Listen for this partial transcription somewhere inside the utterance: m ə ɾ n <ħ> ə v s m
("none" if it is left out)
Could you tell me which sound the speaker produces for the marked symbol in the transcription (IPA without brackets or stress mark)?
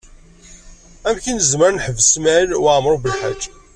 ħ